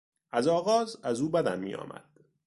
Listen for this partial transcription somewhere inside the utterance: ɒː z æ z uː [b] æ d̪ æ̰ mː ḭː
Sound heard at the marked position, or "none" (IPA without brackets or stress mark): b